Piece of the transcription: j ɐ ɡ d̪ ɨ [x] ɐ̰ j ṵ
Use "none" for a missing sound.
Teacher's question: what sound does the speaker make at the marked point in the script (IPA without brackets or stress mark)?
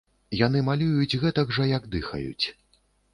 x